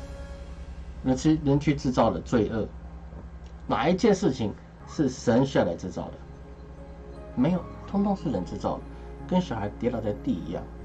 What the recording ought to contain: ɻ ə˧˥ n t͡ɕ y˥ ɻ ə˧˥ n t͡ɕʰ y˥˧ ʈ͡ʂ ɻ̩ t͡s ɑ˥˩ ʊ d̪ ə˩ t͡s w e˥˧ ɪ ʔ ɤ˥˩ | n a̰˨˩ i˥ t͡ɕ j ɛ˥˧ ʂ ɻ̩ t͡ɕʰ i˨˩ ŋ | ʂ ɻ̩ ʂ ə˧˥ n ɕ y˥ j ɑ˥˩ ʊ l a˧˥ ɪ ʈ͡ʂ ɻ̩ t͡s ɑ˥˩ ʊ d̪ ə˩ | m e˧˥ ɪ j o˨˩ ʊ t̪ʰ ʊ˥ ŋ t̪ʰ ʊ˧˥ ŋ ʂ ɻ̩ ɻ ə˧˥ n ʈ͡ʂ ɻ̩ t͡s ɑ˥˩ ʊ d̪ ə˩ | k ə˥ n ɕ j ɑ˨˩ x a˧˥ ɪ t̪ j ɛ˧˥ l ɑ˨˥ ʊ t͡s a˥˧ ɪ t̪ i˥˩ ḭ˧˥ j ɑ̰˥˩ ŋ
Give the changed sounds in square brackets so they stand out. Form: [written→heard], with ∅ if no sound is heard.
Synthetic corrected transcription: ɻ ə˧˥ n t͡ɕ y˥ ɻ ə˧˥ n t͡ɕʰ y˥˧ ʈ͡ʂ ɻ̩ t͡s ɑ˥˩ ʊ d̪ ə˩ t͡s w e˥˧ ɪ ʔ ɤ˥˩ | n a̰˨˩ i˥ t͡ɕ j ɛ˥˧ ʂ ɻ̩ t͡ɕʰ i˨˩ ŋ | ʂ ɻ̩ ʂ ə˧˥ n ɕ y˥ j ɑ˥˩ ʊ l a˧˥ ɪ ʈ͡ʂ ɻ̩ t͡s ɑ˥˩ ʊ d̪ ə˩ | m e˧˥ ɪ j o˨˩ ʊ t̪ʰ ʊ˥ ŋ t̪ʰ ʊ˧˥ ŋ ʂ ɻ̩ ɻ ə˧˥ n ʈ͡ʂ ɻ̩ t͡s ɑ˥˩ ʊ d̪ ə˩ | k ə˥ n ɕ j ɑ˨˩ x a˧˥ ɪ t̪ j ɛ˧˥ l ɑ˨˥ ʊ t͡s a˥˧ ɪ t̪ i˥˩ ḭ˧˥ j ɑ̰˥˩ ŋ

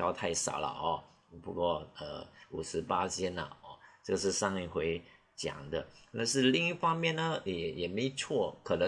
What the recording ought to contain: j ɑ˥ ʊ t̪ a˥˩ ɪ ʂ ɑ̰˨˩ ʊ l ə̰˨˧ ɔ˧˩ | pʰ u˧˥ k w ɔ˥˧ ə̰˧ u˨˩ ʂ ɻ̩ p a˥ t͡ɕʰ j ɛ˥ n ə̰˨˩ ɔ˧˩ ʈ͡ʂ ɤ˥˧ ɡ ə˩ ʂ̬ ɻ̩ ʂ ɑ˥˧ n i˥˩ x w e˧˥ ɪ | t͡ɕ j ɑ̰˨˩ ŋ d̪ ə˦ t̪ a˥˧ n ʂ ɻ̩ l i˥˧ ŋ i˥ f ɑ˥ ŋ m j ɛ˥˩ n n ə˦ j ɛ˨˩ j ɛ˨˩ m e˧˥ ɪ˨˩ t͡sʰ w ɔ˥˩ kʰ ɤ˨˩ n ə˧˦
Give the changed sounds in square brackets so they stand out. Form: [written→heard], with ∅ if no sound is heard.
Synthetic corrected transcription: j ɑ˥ ʊ [t̪→t̪ʰ] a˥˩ ɪ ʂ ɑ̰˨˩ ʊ l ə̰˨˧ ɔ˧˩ | [pʰ→p] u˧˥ k w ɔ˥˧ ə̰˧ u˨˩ ʂ ɻ̩ p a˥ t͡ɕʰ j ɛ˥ n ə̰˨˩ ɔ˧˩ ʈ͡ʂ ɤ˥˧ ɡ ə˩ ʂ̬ ɻ̩ ʂ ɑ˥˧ [n→ŋ] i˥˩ x w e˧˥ ɪ | t͡ɕ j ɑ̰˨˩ ŋ d̪ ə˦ t̪ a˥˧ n ʂ ɻ̩ l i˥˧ ŋ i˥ f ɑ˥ ŋ m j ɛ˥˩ n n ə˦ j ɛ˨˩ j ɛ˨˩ m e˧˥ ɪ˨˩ t͡sʰ w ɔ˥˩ kʰ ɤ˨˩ n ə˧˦

